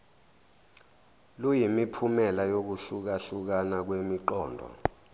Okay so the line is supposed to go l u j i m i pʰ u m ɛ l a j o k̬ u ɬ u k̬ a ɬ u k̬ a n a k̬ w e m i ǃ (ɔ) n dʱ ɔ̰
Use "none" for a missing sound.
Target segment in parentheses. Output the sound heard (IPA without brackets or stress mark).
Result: ɔː